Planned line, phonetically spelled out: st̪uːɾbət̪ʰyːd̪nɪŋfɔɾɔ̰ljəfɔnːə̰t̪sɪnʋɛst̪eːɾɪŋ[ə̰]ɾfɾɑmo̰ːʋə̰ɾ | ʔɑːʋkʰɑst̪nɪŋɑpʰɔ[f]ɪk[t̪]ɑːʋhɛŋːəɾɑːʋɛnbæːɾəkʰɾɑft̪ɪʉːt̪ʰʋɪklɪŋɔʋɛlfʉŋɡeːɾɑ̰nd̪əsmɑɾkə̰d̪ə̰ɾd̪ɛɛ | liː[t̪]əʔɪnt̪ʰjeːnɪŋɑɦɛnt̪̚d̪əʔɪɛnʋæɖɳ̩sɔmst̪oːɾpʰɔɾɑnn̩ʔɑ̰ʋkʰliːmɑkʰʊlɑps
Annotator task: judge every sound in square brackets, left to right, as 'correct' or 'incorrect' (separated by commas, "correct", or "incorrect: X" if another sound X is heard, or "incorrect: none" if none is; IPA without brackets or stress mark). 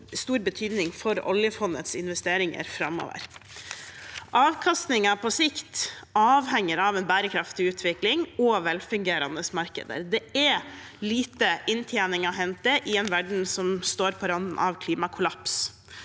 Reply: correct, incorrect: s, correct, correct